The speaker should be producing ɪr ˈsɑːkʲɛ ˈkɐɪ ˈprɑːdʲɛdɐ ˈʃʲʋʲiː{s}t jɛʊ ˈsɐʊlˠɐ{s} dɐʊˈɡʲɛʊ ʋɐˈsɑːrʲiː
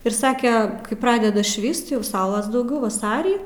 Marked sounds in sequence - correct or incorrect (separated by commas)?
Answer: correct, correct